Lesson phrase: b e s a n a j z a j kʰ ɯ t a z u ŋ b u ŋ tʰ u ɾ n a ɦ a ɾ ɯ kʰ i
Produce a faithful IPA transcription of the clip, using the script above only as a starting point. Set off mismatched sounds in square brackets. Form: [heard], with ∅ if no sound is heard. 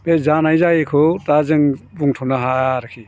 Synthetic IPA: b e [z] a n a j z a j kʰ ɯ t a z [ɯ] ŋ b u ŋ tʰ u [∅] n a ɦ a ɾ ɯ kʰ i